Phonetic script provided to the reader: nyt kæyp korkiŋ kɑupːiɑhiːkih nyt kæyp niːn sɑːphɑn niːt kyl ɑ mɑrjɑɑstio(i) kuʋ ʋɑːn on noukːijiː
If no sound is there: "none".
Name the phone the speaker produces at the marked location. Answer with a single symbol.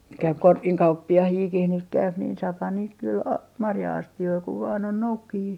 i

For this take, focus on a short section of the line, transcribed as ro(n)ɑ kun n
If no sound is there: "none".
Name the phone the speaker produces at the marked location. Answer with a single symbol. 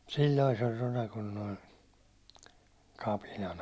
n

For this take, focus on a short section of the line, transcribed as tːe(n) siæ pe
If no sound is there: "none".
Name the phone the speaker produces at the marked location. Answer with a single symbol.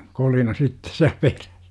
none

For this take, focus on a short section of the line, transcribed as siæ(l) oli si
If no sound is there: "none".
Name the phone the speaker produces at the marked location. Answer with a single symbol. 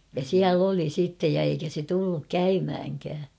l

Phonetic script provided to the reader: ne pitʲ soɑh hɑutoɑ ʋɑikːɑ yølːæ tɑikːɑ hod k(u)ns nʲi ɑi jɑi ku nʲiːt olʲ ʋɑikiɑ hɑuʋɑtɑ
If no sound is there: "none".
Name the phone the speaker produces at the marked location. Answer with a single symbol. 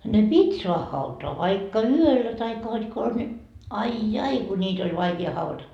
o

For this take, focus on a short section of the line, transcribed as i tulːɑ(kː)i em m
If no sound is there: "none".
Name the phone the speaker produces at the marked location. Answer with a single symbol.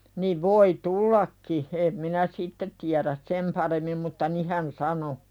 kː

